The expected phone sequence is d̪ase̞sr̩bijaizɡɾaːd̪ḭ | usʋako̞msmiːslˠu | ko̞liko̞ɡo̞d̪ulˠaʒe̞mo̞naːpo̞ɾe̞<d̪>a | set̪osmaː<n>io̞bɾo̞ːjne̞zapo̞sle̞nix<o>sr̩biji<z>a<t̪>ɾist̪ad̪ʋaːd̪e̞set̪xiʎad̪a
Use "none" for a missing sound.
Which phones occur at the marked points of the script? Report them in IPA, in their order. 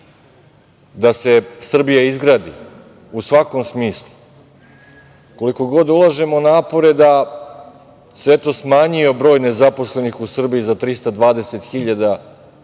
d̪, ɲ, u, z, t̪

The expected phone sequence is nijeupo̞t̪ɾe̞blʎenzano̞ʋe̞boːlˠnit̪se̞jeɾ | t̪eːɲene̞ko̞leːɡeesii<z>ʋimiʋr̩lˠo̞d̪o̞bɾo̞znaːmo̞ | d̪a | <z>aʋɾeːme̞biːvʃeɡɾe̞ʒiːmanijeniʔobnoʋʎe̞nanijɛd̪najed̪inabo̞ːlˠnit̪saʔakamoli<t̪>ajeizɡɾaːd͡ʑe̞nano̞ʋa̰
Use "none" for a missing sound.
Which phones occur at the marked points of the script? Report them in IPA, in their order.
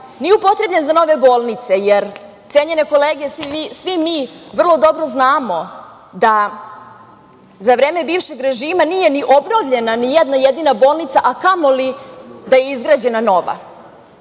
s, z, d̪

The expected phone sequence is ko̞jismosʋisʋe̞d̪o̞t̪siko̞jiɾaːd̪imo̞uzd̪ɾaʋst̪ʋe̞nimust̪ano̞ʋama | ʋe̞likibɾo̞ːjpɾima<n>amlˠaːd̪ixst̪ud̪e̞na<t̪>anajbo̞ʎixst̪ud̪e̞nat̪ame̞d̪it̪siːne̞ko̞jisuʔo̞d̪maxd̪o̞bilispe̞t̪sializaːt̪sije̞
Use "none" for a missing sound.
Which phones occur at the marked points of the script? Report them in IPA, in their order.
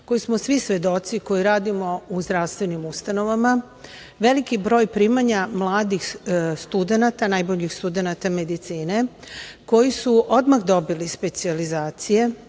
ɲ, t̪

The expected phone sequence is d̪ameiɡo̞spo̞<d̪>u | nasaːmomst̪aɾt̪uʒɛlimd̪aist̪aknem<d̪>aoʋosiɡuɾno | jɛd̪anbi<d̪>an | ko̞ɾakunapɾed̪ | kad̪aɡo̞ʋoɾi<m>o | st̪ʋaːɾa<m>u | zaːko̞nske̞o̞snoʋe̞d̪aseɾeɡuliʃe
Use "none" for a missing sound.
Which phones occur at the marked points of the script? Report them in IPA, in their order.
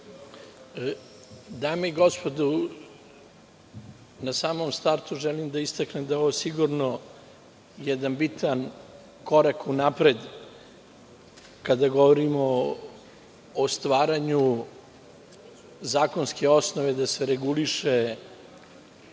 d̪, d̪, t̪, m, ɲ

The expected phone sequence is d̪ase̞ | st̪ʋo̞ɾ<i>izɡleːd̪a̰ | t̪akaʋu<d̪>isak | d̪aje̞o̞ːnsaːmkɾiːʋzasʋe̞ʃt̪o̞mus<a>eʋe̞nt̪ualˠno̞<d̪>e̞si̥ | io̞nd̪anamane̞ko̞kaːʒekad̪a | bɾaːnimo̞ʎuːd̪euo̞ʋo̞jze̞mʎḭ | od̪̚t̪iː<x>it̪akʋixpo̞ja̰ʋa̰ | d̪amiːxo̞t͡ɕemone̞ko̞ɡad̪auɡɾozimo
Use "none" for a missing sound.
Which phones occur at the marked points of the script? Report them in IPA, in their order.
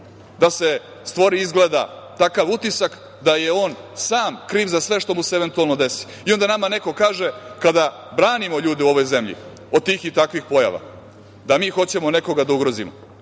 i, t̪, e, d̪, x

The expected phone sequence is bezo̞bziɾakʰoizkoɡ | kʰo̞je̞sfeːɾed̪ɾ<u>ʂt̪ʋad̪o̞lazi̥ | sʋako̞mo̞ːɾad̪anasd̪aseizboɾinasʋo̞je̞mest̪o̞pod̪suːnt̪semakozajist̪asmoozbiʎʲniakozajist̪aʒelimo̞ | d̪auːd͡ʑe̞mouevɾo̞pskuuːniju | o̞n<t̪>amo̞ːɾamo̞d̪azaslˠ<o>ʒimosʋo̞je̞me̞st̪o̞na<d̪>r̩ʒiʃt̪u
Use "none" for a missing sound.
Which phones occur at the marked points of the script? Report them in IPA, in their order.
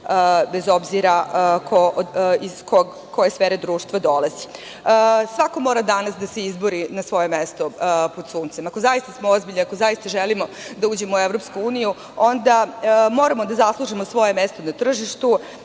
uː, d̪, u, t̪

